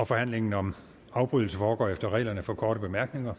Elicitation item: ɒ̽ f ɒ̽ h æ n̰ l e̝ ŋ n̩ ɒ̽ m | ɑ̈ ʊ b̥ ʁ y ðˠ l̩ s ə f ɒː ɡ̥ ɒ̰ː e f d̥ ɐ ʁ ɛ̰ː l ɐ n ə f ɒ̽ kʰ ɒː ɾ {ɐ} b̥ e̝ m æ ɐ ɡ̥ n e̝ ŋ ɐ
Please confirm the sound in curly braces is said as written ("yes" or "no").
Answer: no